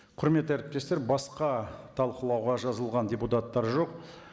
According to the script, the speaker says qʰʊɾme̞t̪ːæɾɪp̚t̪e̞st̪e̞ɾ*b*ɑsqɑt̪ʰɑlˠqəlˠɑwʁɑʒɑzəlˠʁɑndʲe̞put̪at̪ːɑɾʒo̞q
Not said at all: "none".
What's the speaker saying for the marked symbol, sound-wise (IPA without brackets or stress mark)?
b